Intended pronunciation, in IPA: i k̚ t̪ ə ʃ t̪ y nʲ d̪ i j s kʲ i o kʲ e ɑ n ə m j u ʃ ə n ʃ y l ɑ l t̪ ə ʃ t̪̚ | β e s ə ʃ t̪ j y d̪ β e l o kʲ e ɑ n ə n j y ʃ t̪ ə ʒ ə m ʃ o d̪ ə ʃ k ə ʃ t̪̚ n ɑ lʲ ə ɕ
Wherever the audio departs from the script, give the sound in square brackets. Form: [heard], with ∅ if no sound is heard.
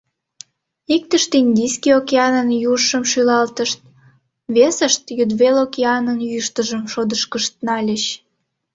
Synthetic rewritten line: i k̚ t̪ ə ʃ t̪ [i] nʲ d̪ i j s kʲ i o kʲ e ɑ n ə [n] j u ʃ ə [m] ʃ y l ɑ l t̪ ə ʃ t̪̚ | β e s ə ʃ t̪ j y d̪ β e l o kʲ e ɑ n ə n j y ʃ t̪ ə ʒ ə m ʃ o d̪ ə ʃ k ə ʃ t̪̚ n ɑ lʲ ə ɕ